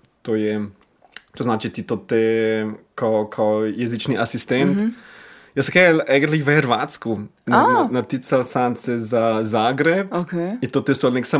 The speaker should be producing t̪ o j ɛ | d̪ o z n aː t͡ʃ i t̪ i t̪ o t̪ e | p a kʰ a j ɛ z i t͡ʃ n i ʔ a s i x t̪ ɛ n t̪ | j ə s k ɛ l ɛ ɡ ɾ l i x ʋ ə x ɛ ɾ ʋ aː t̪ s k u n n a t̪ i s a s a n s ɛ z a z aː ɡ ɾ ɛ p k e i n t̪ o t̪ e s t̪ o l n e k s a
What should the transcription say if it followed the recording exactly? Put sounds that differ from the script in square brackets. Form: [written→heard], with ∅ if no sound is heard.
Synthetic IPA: t̪ o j ɛ | [d̪→t̪] o z n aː t͡ʃ i t̪ i t̪ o t̪ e | [p→k] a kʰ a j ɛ z i t͡ʃ n i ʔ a s i [x→s] t̪ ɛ n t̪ | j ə s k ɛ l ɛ ɡ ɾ l i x ʋ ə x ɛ ɾ ʋ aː t̪ s k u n n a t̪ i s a s a n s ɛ z a z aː ɡ ɾ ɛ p k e i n t̪ o t̪ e s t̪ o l n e k s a